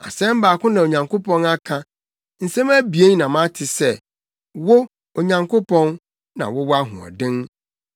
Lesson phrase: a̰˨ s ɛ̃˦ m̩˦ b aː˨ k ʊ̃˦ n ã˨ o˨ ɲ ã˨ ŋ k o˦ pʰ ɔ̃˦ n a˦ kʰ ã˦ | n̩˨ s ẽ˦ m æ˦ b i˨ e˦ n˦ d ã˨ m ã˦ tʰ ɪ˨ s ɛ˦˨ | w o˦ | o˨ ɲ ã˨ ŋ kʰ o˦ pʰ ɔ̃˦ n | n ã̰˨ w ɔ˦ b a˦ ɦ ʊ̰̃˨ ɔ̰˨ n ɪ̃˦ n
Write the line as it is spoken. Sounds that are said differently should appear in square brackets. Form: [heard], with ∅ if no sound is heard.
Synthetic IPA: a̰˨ s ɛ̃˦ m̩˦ b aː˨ k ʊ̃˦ n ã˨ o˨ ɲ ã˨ ŋ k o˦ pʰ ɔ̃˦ n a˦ kʰ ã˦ | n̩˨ s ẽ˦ m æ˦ b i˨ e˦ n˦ [n] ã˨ m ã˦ tʰ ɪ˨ s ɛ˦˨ | w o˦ | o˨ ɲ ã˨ ŋ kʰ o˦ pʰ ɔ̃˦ n | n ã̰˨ w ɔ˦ [w] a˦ ɦ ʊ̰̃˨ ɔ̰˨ [d] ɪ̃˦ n